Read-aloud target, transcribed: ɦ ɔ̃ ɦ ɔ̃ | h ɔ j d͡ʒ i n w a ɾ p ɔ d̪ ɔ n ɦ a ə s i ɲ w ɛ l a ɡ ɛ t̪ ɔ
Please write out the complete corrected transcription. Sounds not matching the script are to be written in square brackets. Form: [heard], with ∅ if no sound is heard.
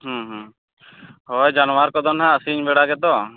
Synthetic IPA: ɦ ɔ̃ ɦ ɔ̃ | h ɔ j d͡ʒ [a] n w a ɾ [k] ɔ d̪ ɔ n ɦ a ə s i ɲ [b] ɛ [ɽ] a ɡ ɛ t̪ ɔ